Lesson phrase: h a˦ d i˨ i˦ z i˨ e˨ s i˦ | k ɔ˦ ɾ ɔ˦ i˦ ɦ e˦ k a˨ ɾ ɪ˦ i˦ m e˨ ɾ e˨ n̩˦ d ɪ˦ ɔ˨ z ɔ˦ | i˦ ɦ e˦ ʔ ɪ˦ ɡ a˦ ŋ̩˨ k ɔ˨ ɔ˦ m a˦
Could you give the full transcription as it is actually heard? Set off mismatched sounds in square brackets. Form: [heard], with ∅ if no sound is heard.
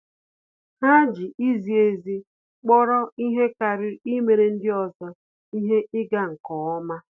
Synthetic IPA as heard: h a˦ [d͡ʒ] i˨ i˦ z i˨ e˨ [z] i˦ | [k͡p] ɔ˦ ɾ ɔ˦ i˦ ɦ e˦ k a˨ ɾ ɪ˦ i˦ m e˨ ɾ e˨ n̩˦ d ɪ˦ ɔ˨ z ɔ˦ | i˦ ɦ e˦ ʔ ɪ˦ ɡ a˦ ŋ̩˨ k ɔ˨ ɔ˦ m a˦